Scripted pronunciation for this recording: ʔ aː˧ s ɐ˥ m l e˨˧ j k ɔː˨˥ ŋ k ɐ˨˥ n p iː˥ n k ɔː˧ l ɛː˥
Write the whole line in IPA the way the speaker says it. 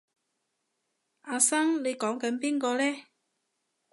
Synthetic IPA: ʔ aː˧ s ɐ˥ ŋ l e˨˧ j k ɔː˨˥ ŋ k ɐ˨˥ n p iː˥ n k ɔː˧ l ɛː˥